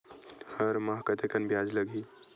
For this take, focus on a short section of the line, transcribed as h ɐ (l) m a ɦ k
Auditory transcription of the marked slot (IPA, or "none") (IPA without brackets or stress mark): ɾ